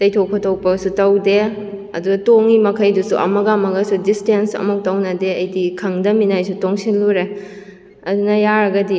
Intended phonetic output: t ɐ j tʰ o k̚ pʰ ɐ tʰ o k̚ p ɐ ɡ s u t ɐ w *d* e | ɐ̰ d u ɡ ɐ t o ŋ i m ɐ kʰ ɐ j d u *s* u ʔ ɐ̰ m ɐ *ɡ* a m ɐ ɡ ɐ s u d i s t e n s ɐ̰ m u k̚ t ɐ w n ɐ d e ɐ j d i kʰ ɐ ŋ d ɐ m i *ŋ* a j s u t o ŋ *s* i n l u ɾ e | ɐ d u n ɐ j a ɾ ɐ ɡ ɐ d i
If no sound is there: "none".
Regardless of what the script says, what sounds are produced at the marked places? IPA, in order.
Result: d, s, ɡ, n, s

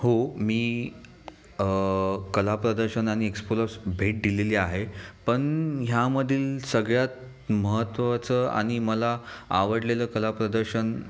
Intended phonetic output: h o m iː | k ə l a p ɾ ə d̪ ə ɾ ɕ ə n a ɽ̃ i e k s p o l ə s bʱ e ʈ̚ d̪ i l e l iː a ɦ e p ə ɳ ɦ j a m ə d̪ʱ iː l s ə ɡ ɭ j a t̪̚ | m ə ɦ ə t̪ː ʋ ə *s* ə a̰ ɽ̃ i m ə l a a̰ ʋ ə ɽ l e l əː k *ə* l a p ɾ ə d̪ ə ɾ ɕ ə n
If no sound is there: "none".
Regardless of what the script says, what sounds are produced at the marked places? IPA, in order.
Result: t͡s, ə

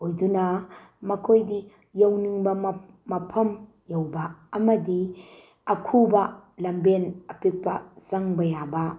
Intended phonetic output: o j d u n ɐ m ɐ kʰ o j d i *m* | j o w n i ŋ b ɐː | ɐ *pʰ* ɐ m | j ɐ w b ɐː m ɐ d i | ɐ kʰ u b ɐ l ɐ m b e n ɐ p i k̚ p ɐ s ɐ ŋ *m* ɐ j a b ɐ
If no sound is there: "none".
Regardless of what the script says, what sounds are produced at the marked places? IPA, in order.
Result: none, pʰ, b

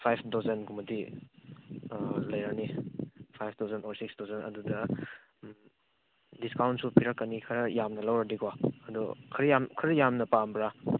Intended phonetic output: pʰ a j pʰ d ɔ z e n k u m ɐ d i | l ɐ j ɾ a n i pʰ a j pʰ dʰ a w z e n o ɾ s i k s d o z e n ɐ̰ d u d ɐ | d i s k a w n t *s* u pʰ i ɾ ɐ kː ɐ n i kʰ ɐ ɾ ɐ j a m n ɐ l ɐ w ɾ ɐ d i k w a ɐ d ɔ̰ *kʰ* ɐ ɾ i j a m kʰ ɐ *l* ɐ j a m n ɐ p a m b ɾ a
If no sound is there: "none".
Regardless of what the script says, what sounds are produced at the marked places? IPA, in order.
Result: s, kʰ, ɾ

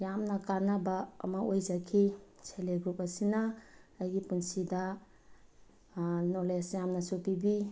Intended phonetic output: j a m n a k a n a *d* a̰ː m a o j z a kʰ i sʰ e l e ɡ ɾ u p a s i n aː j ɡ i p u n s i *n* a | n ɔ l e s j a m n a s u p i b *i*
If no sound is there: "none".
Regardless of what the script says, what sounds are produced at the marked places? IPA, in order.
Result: b, d, i

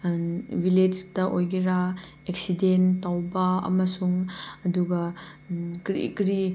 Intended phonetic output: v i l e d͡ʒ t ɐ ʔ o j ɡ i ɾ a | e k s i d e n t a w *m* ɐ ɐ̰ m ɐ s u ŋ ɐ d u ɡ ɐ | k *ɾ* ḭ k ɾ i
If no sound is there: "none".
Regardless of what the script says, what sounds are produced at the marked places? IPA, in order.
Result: b, ɾ

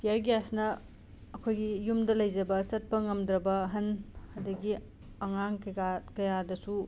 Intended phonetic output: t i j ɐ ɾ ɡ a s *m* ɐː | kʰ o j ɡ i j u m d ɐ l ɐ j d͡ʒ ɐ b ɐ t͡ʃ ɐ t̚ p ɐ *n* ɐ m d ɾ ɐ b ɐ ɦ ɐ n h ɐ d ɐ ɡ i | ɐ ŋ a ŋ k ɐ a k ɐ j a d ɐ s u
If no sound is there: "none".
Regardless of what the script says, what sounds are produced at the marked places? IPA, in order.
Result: n, ŋ

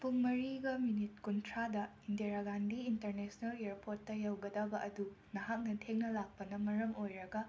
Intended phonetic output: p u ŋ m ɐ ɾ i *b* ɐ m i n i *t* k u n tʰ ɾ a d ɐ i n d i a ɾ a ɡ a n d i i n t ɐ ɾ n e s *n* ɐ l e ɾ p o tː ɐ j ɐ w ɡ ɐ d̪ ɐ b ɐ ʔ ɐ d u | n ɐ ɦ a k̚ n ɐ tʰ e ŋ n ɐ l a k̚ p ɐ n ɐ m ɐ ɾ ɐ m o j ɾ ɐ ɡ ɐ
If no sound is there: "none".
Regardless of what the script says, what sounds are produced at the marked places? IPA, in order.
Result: ɡ, t, n

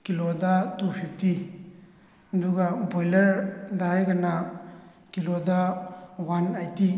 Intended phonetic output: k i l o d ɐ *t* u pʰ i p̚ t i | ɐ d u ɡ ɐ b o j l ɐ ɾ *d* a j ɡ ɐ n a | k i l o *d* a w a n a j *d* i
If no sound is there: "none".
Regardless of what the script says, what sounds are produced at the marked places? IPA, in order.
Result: t, d, d, t

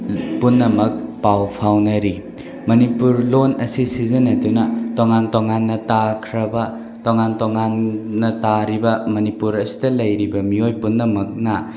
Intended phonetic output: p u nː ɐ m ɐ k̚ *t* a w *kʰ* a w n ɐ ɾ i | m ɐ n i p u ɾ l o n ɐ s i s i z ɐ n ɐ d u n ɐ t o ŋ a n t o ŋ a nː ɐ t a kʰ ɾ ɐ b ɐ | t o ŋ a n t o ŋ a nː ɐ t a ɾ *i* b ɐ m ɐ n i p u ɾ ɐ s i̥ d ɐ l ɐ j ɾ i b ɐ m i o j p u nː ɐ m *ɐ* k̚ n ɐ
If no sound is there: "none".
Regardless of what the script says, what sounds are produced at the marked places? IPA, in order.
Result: p, pʰ, i, ɐ

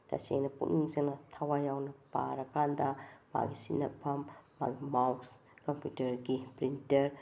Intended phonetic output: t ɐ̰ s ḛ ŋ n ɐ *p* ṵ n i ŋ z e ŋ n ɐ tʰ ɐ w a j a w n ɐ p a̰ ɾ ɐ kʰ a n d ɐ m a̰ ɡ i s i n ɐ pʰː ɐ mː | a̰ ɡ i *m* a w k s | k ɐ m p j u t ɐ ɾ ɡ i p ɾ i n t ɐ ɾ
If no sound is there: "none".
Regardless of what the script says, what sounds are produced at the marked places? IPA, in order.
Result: p, m

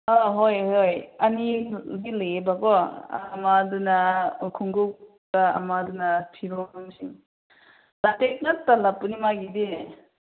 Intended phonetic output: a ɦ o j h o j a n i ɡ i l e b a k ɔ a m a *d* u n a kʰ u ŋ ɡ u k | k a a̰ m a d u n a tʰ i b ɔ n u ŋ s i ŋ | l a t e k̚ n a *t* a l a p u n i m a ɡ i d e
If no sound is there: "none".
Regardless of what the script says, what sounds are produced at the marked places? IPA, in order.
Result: d, t

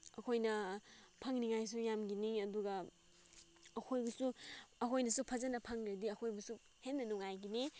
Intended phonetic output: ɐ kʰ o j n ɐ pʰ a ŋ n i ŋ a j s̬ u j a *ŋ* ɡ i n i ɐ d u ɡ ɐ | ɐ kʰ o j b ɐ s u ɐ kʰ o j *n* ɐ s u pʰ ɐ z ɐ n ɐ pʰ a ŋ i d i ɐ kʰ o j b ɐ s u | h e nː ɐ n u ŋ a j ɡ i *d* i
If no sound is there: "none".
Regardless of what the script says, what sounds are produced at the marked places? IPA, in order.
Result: m, n, n

